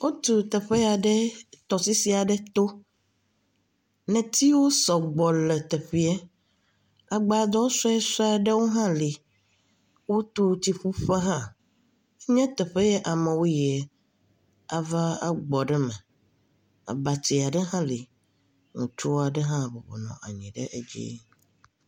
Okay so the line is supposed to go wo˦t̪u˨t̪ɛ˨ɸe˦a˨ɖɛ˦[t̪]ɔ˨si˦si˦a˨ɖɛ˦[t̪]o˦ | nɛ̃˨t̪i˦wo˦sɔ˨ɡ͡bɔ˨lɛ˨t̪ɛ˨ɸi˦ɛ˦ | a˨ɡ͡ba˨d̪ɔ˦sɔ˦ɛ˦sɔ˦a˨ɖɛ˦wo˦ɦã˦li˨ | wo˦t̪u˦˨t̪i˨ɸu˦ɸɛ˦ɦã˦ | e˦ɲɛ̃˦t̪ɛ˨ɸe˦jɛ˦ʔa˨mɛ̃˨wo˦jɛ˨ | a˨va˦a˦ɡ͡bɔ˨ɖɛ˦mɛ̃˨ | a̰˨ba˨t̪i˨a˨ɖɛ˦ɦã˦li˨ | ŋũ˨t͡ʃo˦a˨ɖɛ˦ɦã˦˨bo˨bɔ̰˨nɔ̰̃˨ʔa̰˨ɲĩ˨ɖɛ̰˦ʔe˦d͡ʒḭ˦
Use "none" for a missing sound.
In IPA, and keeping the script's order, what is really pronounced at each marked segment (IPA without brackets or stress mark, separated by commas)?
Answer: t̪, t̪